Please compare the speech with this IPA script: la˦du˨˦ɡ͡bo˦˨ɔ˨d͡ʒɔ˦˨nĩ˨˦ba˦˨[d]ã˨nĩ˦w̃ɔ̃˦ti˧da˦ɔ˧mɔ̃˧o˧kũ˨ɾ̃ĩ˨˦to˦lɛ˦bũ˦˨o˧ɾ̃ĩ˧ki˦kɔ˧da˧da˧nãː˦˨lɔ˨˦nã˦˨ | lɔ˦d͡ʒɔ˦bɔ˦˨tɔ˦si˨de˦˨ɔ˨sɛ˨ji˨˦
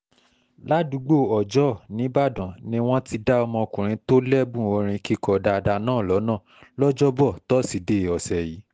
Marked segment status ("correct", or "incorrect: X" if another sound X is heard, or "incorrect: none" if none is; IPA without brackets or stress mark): correct